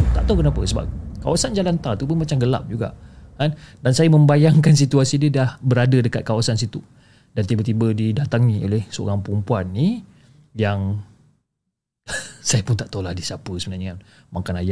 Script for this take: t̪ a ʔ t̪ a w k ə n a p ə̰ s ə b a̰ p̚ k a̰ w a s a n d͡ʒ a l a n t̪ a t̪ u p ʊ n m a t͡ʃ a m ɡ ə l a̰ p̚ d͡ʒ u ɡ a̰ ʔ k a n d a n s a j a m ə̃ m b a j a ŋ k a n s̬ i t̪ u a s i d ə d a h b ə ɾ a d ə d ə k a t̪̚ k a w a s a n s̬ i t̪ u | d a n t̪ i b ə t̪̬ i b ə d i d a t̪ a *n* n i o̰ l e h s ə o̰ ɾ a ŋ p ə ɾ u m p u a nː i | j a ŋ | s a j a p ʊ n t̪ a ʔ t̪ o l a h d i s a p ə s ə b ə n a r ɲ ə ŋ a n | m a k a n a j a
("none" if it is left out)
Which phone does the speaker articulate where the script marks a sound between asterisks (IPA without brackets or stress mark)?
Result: ŋ